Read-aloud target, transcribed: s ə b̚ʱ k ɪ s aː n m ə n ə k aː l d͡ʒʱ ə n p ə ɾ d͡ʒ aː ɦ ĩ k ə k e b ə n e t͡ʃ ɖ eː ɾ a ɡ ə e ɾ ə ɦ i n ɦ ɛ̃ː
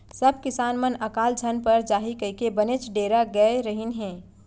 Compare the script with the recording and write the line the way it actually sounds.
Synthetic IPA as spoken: s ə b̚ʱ k ɪ s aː n m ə n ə k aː l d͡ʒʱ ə n p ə ɾ d͡ʒ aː ɦ i k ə k e b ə n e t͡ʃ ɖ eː ɾ a ɡ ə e ɾ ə ɦ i n ɦ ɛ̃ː